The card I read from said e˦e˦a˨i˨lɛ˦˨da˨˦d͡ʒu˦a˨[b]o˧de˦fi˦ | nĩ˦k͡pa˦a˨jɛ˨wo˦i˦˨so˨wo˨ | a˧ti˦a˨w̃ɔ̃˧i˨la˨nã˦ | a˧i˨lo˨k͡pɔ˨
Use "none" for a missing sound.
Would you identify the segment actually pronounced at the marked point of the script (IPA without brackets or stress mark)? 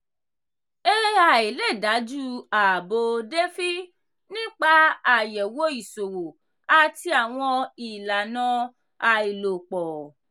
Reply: b